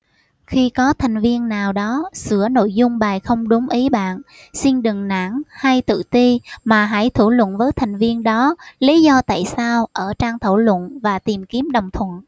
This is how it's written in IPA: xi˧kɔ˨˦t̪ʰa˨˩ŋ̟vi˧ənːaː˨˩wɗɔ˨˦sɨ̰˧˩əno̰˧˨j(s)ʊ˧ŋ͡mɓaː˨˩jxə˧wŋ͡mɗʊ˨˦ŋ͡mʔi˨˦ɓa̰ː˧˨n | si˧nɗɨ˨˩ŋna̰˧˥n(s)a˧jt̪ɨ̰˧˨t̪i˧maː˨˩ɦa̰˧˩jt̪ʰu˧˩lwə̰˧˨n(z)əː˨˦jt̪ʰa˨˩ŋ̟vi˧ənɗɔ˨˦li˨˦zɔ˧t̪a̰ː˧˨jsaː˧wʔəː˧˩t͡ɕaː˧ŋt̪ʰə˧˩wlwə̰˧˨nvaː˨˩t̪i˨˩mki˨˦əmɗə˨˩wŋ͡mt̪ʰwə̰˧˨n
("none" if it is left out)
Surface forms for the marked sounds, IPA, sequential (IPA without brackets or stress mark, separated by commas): z, h, v